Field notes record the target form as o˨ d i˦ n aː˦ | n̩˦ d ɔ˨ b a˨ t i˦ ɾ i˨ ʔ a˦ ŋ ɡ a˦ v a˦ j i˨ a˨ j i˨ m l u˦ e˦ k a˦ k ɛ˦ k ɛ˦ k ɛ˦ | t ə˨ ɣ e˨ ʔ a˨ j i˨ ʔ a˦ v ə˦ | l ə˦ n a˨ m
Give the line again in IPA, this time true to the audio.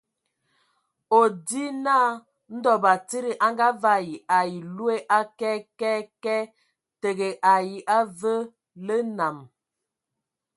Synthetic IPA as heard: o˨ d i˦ n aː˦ | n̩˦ d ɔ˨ b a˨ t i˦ ɾ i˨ ʔ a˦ ŋ ɡ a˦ v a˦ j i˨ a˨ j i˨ l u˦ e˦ ʔ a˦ k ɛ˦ k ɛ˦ k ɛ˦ | t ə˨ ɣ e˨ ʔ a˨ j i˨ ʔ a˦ v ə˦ | l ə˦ n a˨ m